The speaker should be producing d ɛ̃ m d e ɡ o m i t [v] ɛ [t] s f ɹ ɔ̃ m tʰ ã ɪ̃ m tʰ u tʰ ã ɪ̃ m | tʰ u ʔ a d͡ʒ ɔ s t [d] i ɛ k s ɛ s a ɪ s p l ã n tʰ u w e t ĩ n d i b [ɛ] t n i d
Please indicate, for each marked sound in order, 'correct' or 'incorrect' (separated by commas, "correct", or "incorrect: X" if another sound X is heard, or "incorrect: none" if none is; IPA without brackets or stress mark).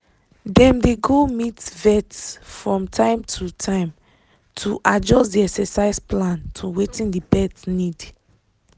correct, correct, correct, correct